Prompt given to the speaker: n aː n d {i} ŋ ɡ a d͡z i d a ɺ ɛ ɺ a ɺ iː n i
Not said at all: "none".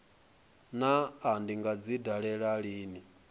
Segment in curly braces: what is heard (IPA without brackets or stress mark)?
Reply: i